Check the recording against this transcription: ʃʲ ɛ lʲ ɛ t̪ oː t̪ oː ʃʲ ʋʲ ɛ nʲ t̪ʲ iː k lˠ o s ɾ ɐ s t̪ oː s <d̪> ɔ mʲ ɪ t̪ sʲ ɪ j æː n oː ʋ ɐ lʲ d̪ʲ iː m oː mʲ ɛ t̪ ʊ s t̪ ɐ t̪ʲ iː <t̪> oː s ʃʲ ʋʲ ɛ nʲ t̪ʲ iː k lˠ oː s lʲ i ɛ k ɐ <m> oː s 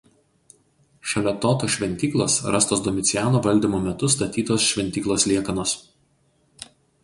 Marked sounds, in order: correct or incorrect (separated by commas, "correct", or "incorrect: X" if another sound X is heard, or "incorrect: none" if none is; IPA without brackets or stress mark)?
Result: correct, correct, incorrect: n